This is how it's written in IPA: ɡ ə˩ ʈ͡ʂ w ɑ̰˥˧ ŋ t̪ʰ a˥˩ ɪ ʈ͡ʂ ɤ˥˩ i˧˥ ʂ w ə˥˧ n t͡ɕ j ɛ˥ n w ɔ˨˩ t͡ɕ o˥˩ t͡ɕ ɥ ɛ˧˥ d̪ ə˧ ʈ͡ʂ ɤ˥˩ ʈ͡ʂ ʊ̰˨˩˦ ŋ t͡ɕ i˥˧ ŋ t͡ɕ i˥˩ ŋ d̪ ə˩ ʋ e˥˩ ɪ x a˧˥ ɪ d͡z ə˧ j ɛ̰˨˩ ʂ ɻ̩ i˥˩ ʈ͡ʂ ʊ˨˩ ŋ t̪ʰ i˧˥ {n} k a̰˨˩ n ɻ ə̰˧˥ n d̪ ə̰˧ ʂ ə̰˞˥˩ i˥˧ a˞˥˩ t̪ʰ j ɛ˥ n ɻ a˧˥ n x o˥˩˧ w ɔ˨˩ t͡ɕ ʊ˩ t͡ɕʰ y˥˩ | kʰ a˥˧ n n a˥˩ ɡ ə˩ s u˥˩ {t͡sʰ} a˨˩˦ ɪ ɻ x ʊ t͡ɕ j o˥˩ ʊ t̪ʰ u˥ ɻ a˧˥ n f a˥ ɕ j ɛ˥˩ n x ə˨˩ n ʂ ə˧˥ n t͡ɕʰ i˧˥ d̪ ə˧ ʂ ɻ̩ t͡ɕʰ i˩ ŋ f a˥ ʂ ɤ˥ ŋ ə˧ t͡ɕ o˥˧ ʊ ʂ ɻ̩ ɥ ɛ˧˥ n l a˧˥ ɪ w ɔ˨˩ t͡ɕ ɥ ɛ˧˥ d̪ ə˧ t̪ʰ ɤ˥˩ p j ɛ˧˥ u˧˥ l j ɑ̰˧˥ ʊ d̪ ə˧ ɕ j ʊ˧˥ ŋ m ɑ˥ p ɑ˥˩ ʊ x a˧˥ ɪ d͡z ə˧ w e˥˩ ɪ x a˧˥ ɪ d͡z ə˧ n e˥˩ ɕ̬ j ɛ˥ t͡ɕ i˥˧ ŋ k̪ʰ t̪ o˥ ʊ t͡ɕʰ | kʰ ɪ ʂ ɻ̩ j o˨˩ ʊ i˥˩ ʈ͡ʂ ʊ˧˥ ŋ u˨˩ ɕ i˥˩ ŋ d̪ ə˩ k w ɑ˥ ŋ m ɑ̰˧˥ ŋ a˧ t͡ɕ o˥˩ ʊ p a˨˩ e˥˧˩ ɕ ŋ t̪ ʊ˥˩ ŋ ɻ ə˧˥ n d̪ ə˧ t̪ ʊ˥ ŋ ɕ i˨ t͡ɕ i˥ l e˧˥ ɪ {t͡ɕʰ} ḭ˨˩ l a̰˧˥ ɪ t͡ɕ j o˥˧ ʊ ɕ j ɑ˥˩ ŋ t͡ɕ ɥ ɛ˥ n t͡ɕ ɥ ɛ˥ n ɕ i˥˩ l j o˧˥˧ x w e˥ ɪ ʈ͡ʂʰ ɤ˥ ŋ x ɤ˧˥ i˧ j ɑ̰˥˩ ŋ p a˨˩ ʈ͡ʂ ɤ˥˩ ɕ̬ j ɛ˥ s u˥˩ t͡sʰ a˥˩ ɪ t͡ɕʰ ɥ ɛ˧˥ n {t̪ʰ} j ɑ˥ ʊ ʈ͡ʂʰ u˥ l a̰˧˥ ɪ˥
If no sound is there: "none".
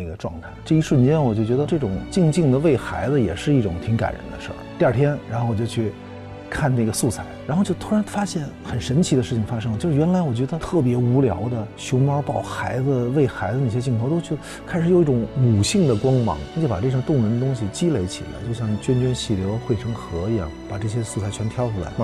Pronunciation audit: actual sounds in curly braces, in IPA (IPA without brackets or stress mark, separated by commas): ŋ, t͡sʰ, t͡ɕʰ, t̪ʰ